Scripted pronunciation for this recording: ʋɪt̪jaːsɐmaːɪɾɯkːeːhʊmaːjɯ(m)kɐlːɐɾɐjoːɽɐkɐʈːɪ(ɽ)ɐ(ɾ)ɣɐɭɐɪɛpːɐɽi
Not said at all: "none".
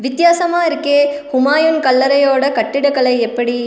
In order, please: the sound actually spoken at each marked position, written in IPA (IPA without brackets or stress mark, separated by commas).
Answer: n, ɽ, none